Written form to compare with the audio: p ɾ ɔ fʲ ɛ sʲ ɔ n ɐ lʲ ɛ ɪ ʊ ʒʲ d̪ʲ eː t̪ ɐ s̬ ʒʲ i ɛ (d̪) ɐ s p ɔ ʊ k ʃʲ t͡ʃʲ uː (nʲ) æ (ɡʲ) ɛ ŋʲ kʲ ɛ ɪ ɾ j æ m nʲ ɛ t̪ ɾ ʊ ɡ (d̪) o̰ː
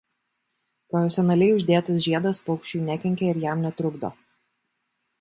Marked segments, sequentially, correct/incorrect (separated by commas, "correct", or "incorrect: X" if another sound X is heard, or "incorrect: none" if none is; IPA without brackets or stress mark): correct, correct, incorrect: kʲ, correct